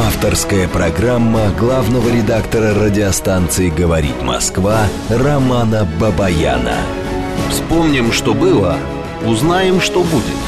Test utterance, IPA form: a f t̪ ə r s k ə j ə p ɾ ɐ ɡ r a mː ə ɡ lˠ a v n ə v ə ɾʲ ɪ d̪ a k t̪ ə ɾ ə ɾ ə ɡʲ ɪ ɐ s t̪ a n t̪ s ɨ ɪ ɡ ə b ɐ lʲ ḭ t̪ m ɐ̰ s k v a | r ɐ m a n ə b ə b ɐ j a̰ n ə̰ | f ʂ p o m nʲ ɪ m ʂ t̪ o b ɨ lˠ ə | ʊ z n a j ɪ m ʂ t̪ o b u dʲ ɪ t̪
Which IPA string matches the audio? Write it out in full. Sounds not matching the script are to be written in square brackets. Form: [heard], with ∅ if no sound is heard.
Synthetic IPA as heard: a f t̪ ə r s k ə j ə p ɾ ɐ ɡ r a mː ə ɡ lˠ a v n ə v ə ɾʲ ɪ d̪ a k t̪ ə ɾ ə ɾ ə [dʲ] ɪ ɐ s t̪ a n t̪ s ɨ ɪ ɡ ə [v] ɐ [ɾʲ] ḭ t̪ m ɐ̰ s k v a | r ɐ m a n ə b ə b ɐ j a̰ n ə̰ | f [s] p o m nʲ ɪ m ʂ t̪ o b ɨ lˠ ə | ʊ z n a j ɪ m ʂ t̪ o b u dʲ ɪ t̪